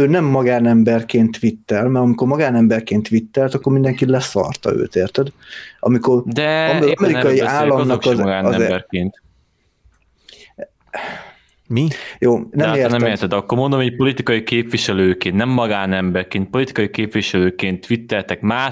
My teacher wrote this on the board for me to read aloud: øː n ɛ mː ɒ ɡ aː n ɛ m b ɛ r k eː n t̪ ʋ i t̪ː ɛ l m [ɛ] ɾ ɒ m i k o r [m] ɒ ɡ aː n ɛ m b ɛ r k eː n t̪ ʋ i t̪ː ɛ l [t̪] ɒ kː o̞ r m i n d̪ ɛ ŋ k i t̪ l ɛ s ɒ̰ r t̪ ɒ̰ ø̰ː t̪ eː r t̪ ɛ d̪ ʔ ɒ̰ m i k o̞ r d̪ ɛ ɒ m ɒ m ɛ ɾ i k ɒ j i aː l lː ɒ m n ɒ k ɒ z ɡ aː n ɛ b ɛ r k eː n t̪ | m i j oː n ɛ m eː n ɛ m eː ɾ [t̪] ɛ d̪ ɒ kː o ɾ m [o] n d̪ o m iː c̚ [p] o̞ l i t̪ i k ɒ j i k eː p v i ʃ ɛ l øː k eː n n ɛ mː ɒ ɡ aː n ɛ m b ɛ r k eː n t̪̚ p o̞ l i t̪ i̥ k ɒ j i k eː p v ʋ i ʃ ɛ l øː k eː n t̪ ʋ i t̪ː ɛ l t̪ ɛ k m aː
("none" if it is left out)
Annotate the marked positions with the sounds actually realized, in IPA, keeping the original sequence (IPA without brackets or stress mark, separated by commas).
ɛ, m, t̪, t̪, o, p